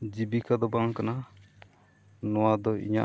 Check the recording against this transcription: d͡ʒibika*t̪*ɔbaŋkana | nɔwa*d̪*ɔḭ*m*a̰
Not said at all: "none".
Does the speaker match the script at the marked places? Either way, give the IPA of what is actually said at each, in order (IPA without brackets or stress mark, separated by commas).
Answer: d̪, d̪, ɲ